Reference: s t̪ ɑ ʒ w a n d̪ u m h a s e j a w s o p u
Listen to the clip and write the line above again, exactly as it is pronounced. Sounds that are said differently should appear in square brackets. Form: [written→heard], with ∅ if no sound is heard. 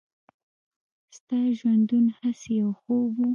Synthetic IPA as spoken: s t̪ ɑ ʒ w a n d̪ u [m→n] h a s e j a w [s→x] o [p→b] u